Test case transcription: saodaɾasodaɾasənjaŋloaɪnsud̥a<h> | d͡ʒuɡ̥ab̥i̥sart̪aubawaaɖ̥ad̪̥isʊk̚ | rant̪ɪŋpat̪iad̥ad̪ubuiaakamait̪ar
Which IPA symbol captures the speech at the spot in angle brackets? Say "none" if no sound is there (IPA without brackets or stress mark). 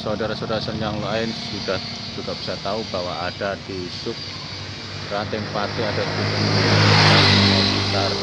h